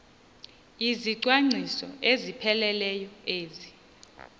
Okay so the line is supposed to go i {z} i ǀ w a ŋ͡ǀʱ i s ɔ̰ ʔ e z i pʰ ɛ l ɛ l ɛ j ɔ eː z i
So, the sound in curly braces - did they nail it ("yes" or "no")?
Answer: yes